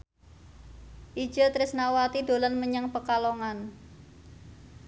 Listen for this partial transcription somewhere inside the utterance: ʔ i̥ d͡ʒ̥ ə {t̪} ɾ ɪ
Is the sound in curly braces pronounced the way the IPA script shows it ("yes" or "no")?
yes